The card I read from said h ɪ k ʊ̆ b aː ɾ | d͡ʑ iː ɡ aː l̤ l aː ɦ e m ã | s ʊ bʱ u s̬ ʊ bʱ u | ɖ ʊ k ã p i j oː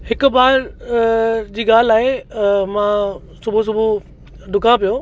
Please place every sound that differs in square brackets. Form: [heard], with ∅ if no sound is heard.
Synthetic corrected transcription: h ɪ k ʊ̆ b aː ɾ | d͡ʑ iː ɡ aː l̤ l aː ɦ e m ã | s ʊ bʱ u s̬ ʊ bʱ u | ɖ ʊ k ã p i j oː